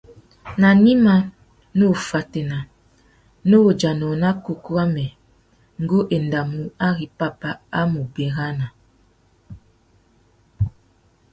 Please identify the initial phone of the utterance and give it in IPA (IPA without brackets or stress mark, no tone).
n